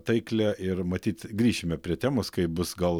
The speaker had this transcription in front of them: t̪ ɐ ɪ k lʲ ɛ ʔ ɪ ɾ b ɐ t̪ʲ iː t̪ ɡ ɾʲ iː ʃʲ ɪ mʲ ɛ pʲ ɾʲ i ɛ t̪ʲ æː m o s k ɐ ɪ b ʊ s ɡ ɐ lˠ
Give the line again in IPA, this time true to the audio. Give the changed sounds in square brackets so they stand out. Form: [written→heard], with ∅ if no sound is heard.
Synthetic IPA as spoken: t̪ ɐ ɪ k lʲ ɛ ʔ ɪ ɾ [b→m] ɐ t̪ʲ iː t̪ ɡ ɾʲ iː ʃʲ ɪ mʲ ɛ pʲ ɾʲ i ɛ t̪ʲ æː m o s k ɐ ɪ b ʊ s ɡ ɐ lˠ